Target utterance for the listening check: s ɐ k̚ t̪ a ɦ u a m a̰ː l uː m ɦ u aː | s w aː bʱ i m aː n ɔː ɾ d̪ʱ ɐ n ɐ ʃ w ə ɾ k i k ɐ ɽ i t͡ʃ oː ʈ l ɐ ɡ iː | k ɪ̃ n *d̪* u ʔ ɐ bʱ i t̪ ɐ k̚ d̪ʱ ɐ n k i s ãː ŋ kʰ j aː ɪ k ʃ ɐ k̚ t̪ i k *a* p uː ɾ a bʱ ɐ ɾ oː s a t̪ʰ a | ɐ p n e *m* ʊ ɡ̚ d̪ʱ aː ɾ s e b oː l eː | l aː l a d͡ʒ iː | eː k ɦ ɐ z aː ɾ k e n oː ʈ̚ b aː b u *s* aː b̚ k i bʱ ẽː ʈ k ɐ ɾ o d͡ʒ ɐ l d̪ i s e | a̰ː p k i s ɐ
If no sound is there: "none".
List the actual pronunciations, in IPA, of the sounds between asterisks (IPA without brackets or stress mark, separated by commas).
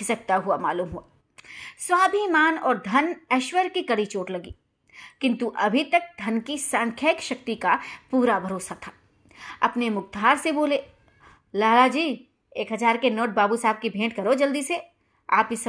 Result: t̪, a, m, s